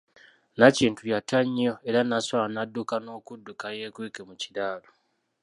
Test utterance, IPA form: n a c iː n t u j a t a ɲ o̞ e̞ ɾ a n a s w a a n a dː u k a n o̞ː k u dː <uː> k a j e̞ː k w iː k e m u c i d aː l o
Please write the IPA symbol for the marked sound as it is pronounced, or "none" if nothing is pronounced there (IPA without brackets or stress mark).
u